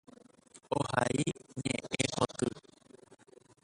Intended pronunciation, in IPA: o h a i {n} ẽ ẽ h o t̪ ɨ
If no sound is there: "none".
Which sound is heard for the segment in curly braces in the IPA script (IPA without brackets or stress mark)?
ɲ